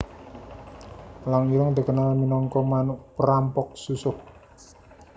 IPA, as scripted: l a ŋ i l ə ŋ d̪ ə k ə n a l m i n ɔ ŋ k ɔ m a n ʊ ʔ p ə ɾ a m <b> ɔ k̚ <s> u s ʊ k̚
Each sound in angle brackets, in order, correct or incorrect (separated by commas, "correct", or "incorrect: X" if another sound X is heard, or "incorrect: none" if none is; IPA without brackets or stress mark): incorrect: p, correct